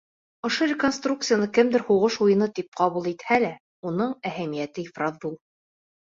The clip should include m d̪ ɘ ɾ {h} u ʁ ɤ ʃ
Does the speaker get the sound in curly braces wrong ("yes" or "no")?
no